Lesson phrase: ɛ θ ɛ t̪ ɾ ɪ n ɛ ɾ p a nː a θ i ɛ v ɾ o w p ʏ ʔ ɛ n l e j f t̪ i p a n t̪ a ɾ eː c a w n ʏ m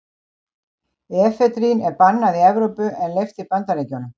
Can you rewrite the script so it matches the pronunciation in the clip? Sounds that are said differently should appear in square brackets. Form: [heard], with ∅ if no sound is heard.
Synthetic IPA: ɛ [f] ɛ t̪ ɾ [i] n ɛ ɾ p a nː a [ð] i ɛ v ɾ o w p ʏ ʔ ɛ n l e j f t̪ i p a n t̪ a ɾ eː c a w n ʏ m